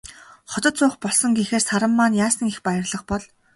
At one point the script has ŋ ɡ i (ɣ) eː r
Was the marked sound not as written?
yes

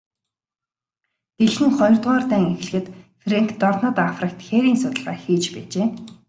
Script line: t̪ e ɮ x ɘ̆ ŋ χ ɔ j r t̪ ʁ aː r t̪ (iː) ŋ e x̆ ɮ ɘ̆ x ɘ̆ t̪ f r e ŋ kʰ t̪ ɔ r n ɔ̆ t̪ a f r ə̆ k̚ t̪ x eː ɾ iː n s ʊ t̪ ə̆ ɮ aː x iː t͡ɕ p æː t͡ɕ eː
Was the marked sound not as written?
yes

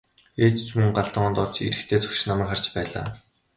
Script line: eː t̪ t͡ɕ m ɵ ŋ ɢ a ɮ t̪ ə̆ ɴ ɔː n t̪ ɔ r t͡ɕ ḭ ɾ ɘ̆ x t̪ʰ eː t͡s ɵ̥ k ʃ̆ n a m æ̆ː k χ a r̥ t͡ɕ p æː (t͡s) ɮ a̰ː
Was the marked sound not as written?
yes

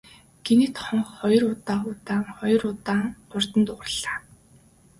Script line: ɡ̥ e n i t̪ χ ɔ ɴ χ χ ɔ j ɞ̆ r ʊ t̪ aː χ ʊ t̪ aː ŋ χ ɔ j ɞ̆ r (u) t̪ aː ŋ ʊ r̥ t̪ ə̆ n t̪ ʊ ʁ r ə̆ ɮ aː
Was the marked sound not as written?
yes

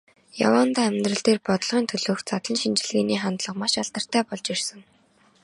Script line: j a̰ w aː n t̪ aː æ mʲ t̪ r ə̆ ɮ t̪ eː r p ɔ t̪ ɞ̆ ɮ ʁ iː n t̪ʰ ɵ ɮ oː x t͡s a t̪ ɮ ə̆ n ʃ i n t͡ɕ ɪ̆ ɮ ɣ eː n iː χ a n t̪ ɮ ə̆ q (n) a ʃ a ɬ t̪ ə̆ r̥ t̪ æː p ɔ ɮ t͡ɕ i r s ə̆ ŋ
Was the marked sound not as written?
yes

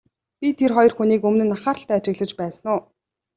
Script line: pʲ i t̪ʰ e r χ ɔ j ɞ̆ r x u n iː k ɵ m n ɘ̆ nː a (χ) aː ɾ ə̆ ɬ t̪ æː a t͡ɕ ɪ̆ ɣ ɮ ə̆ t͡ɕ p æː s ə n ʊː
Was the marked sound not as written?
no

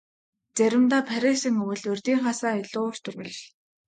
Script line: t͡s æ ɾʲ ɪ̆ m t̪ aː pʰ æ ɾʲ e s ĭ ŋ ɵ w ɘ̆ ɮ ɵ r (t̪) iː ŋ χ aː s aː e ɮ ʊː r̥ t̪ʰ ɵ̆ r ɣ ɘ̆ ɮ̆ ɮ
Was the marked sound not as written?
no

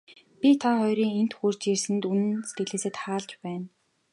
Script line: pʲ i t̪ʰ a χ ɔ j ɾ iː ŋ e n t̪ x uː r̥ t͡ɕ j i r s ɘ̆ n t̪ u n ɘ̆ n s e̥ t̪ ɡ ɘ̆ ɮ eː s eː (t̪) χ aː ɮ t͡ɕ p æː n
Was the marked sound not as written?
no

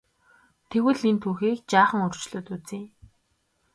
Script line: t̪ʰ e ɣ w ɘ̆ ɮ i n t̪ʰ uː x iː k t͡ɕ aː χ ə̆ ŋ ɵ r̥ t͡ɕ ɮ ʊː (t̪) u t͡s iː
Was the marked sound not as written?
no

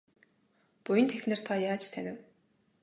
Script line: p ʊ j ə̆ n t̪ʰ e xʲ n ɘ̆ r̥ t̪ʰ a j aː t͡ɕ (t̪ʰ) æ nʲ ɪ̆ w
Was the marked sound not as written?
no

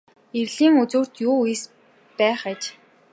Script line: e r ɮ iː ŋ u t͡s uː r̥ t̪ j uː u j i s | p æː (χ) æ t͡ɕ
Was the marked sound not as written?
no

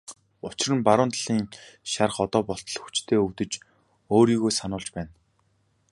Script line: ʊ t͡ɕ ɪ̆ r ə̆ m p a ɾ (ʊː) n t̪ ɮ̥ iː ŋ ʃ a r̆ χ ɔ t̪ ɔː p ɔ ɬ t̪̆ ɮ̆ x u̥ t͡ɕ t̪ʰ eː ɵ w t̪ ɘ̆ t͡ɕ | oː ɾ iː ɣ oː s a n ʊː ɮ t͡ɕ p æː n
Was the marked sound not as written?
no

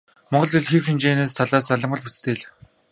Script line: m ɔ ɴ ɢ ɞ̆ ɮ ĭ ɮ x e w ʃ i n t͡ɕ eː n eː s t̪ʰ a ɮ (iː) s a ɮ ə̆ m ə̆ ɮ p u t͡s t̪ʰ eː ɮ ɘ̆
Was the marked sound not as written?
yes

